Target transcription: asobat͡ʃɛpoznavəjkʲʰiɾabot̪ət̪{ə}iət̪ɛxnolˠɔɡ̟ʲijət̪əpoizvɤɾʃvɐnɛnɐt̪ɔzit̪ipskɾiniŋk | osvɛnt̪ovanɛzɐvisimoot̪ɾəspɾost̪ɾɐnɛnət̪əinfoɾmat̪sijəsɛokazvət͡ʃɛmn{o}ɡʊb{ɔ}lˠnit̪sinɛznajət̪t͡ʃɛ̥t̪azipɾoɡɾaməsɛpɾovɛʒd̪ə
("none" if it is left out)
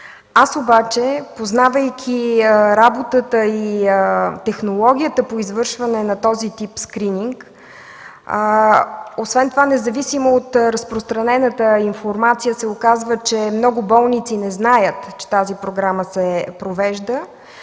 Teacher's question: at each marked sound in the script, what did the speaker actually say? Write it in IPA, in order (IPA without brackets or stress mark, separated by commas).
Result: ə, ɔ, ɔ